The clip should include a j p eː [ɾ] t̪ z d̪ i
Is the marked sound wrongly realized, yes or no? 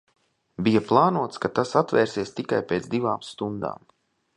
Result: yes